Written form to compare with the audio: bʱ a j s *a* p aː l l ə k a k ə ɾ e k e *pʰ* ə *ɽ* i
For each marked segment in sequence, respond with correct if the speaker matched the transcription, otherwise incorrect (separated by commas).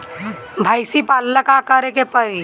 incorrect, incorrect, incorrect